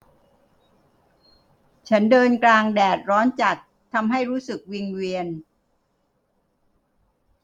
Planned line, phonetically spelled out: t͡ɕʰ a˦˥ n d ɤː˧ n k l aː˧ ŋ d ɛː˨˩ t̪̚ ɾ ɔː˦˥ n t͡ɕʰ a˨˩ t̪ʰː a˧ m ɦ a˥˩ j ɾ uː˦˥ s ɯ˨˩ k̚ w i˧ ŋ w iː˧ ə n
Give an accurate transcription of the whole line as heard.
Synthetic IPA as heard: t͡ɕʰ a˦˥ n d ɤː˧ n k l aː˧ ŋ d ɛː˨˩ t̪̚ ɾ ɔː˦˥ n t͡ɕ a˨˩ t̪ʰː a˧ m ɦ a˥˩ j ɾ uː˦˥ s ɯ˨˩ k̚ w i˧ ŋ w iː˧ ə n

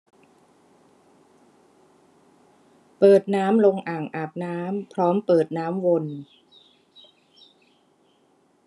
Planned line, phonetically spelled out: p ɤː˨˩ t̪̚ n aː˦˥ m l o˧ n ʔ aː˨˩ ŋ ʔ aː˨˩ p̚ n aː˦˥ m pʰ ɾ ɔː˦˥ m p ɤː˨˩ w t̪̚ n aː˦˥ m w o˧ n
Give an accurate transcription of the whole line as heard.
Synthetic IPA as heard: p ɤː˨˩ t̪̚ n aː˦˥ m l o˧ ŋ ʔ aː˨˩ ŋ ʔ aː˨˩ p̚ n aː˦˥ m pʰ ɾ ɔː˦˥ m p ɤː˨˩ t̪̚ n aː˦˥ m w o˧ n

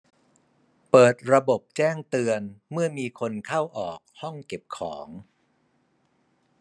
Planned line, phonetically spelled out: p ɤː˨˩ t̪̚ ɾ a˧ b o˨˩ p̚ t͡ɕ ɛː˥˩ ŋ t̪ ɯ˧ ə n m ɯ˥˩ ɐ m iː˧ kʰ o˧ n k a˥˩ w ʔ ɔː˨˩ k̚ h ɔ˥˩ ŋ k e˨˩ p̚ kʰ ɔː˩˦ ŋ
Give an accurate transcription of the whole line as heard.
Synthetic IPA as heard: p ɤː˨˩ t̪̚ ɾ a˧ b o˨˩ p̚ t͡ɕ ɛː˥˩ ŋ t̪ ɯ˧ ə n m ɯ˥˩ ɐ m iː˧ kʰ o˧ n kʰ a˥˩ w ʔ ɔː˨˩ k̚ h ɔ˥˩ ŋ k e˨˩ p̚ kʰ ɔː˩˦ ŋ

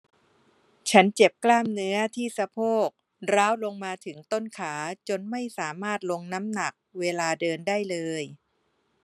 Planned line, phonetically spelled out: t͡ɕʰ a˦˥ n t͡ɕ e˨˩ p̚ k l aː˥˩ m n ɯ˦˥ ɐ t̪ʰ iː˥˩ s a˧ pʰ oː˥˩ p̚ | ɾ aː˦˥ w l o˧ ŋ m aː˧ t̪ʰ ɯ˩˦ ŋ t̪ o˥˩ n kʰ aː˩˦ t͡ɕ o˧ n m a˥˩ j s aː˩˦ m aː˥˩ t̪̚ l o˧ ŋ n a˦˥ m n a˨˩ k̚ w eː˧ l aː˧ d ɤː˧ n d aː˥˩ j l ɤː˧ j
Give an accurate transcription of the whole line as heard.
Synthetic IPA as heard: t͡ɕʰ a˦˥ n t͡ɕ e˨˩ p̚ k l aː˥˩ m n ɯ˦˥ ɐ t̪ʰ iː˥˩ s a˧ pʰ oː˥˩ k̚ | ɾ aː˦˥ w l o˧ ŋ m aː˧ t̪ʰ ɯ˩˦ ŋ t̪ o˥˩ n kʰ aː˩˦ t͡ɕ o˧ n m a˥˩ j s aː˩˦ m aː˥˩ t̪̚ l o˧ ŋ n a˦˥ m n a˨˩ k̚ w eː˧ l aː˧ d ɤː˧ n d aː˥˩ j l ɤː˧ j

